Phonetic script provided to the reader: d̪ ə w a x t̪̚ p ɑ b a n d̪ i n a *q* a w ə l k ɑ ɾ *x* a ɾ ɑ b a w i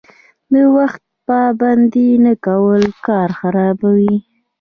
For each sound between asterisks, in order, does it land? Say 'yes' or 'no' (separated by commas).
no, yes